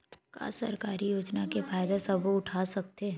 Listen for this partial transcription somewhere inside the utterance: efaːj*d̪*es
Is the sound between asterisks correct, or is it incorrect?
correct